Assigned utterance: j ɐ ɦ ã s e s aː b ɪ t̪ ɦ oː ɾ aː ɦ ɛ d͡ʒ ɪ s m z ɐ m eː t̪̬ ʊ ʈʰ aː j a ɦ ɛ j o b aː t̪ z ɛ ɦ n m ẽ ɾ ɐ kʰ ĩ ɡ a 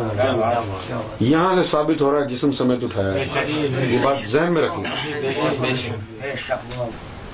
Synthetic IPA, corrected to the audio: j ɐ ɦ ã s e s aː b ɪ t̪ ɦ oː ɾ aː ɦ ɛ d͡ʒ ɪ s m s ɐ m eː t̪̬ ʊ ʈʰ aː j a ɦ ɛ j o b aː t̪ z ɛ ɦ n m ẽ ɾ ɐ kʰ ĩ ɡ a